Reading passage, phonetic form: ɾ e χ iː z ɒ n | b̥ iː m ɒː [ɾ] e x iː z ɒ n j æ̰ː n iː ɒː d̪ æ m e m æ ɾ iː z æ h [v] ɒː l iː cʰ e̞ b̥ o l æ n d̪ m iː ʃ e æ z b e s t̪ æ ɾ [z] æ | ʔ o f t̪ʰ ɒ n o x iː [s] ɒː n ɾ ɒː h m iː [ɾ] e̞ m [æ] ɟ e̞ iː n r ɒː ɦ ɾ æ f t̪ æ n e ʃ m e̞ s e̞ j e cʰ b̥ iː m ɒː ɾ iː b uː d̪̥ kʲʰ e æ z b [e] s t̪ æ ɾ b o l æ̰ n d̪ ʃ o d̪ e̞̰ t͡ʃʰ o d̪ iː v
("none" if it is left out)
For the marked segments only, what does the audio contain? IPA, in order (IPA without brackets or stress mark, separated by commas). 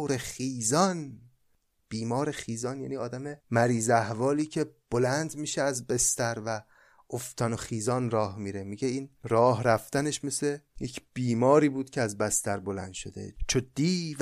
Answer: ɾ, v, v, z, ɾ, i, æ